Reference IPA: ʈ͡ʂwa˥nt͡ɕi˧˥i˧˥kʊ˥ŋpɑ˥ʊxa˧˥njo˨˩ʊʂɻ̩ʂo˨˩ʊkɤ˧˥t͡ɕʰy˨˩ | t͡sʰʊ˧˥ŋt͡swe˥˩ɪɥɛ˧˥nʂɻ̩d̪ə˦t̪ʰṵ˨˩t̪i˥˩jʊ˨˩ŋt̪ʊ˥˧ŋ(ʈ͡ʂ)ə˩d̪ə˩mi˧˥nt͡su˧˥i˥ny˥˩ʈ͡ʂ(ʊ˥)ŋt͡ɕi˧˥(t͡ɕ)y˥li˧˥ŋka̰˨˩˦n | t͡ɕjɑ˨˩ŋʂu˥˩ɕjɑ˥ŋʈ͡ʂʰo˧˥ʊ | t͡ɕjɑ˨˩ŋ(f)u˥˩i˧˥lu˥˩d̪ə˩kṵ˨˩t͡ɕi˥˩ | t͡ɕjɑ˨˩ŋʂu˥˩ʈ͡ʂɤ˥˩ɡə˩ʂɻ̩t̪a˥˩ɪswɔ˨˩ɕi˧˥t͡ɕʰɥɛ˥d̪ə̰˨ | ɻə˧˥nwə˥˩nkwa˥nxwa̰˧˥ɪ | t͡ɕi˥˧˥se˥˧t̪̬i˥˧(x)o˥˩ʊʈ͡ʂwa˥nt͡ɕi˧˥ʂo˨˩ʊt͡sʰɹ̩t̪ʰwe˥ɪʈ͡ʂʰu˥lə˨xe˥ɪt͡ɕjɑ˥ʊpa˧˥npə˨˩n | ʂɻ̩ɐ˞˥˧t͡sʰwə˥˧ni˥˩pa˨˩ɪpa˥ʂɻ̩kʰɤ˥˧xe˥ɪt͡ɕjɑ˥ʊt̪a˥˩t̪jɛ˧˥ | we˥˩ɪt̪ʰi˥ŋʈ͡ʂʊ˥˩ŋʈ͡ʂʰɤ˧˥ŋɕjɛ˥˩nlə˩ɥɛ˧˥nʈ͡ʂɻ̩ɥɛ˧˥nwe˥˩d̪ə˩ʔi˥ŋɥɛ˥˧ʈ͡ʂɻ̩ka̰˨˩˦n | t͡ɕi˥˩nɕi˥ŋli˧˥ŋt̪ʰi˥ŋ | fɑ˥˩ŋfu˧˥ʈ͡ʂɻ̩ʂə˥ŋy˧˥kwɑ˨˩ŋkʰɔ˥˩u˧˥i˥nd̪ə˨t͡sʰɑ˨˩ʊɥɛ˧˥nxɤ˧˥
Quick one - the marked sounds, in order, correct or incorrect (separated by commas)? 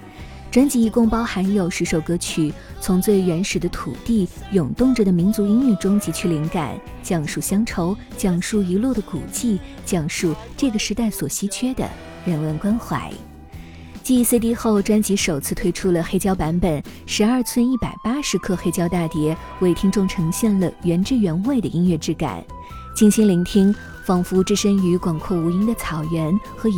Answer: correct, correct, incorrect, incorrect, correct